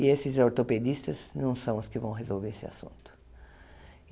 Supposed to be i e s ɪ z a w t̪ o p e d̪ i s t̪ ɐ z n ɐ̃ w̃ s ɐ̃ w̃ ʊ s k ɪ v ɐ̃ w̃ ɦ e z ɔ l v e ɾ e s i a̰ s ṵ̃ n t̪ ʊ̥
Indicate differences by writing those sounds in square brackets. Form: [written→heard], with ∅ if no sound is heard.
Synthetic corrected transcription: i e s ɪ z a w t̪ o p e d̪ i s t̪ ɐ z n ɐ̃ w̃ s ɐ̃ w̃ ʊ s k ɪ v ɐ̃ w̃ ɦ e z [ɔ→o] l v e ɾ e s [i→ɪ] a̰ s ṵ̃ n t̪ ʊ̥

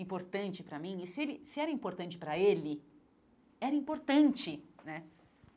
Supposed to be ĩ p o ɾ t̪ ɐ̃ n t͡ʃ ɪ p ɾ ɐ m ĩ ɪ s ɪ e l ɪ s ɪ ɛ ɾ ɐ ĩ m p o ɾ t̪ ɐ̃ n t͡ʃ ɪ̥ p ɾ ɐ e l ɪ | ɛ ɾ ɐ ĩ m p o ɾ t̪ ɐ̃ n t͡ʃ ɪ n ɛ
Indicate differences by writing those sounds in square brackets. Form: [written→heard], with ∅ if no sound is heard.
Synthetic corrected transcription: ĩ p o ɾ t̪ ɐ̃ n t͡ʃ ɪ p ɾ ɐ m ĩ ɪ s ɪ e l ɪ s ɪ ɛ ɾ ɐ ĩ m p o ɾ t̪ ɐ̃ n t͡ʃ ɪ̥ p ɾ ɐ e l ɪ | ɛ ɾ ɐ ĩ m p o ɾ t̪ ɐ̃ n t͡ʃ ɪ n ɛ

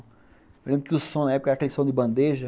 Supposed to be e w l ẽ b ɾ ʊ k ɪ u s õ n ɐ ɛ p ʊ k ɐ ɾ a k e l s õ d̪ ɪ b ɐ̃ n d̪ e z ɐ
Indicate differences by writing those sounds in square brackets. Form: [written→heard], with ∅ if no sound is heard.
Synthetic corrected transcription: e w l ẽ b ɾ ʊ k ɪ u s õ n ɐ ɛ p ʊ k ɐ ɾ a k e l s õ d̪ ɪ b ɐ̃ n d̪ e [z→ʒ] ɐ

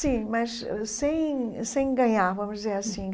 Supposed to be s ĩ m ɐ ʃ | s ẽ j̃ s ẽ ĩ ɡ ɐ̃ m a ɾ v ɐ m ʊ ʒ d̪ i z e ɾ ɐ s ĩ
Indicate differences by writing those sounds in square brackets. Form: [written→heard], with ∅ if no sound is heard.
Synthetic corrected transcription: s ĩ m ɐ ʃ | s ẽ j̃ s ẽ [ĩ→j̃] ɡ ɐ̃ [m→ɲ] a ɾ v ɐ m ʊ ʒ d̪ i z e ɾ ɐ s ĩ

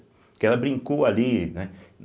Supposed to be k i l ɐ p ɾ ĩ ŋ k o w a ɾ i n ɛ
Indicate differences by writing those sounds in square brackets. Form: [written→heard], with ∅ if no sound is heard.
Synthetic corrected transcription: k [i→ɛ] l ɐ [p→b] ɾ ĩ ŋ k o w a [ɾ→l] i n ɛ

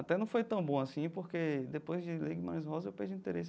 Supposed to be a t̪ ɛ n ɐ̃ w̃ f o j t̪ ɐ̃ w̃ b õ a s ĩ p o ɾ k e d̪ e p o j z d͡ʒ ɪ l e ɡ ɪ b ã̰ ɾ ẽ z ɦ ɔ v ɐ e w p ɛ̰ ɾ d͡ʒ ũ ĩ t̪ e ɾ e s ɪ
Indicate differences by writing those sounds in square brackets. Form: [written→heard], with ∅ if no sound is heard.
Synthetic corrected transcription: a t̪ ɛ n ɐ̃ w̃ f o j t̪ ɐ̃ w̃ b õ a s ĩ p o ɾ k e d̪ e p o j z d͡ʒ ɪ l e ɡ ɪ [b→m] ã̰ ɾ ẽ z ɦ ɔ [v→z] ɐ e w p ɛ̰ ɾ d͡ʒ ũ ĩ t̪ e ɾ e s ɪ

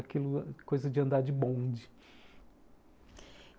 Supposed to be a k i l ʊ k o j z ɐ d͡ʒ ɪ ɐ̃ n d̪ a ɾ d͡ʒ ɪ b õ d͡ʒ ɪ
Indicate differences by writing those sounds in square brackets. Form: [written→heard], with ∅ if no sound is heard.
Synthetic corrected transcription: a k i l ʊ k o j z ɐ d͡ʒ ɪ ɐ̃ n d̪ a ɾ d͡ʒ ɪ b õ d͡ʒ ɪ

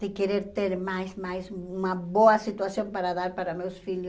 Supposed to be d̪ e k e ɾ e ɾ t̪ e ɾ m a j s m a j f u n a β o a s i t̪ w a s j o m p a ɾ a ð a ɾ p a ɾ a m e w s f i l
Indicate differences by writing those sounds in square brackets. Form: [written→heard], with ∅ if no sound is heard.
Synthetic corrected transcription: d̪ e k e ɾ e ɾ t̪ e ɾ m a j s m a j [f→s] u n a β o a s i t̪ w a s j o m p a ɾ a ð a ɾ p a ɾ a m e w s f i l

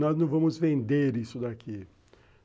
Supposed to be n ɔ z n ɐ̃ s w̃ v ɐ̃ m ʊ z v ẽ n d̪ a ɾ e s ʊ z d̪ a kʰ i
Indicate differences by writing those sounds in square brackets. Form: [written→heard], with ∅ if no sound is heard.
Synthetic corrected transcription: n ɔ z n ɐ̃ [s→∅] w̃ v ɐ̃ m ʊ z v ẽ n d̪ [a→e] ɾ [e→i] s ʊ [z→∅] d̪ a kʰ i

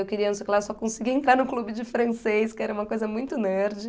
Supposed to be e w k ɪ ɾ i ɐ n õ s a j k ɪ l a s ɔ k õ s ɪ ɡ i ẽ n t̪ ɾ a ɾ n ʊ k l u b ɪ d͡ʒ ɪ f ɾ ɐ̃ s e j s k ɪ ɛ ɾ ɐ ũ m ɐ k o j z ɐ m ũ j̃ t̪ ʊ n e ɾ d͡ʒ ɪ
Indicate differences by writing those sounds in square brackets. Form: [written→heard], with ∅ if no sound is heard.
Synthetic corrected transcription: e w k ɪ ɾ i ɐ n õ s [a→e] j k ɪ l a s ɔ k õ s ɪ ɡ i ẽ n t̪ ɾ a ɾ n ʊ k l u b ɪ d͡ʒ ɪ f ɾ ɐ̃ s e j s k ɪ ɛ ɾ ɐ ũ m ɐ k o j z ɐ m ũ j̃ t̪ ʊ n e ɾ d͡ʒ ɪ

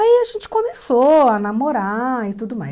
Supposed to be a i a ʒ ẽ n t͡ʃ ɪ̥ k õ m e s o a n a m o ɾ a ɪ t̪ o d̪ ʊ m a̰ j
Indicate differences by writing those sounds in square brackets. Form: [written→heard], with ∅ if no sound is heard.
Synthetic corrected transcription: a i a ʒ ẽ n t͡ʃ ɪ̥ k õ m e s o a n a m o ɾ a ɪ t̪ [o→u] d̪ ʊ m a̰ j

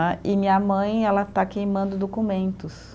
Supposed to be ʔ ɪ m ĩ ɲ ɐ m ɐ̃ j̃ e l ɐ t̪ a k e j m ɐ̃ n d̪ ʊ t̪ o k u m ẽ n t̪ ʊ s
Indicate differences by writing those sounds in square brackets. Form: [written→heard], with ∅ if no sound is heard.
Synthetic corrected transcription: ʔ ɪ m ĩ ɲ ɐ m ɐ̃ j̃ [e→ɛ] l ɐ t̪ a k e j m ɐ̃ n d̪ ʊ [t̪→d̪] o k u m ẽ n t̪ ʊ s

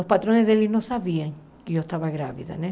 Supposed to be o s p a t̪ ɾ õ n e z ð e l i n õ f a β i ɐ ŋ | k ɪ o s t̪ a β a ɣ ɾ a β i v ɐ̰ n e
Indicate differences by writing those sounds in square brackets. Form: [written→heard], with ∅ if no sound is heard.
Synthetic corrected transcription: o s p a t̪ ɾ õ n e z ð e l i n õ [f→s] a β i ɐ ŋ | k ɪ o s t̪ a β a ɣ ɾ a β i [v→ð] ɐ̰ n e

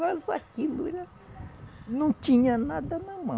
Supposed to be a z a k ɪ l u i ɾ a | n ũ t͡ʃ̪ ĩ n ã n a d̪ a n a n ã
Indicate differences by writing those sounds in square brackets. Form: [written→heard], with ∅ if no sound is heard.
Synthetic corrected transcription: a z a k [ɪ→i] l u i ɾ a | n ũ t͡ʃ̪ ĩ [n→ɲ] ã n a d̪ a n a [n→m] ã

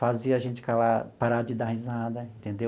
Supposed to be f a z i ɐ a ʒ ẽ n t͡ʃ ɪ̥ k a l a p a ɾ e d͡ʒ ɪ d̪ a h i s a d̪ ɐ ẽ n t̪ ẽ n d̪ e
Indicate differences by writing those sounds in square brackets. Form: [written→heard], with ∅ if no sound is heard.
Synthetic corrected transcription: f a z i ɐ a ʒ ẽ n t͡ʃ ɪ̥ k a l a p a ɾ [e→a] d͡ʒ ɪ d̪ a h i [s→z] a d̪ ɐ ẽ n t̪ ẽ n d̪ e

